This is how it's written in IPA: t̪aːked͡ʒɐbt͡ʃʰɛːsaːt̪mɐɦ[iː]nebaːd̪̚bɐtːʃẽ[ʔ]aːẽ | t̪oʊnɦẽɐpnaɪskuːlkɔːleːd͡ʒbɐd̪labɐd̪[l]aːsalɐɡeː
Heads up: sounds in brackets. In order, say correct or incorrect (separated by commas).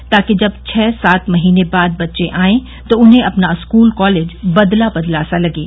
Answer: correct, correct, correct